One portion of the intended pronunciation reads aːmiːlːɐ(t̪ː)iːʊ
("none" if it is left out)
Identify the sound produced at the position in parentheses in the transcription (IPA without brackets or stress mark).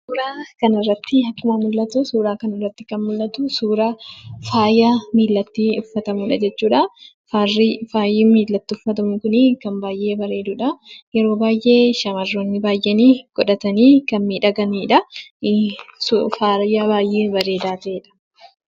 t̪ː